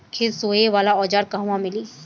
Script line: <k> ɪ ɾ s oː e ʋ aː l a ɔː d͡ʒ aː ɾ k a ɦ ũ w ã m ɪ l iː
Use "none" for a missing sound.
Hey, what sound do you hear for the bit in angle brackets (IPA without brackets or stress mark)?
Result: kʰ